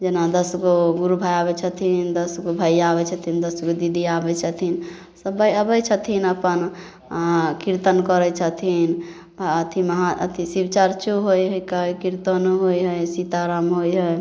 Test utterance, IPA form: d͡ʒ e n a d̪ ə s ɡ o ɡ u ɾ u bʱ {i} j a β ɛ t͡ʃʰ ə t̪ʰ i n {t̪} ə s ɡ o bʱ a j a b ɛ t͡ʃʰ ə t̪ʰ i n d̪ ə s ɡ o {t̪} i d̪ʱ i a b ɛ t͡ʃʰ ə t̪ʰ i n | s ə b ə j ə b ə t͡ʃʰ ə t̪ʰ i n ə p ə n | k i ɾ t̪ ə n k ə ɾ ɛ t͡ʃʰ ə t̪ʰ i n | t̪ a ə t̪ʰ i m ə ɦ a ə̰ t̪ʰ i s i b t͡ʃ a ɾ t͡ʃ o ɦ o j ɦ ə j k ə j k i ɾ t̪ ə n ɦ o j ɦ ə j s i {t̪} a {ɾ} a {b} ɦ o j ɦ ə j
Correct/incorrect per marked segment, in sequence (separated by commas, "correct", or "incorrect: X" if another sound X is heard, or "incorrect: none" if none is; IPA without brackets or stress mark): incorrect: a, incorrect: d̪, incorrect: d̪, correct, correct, incorrect: m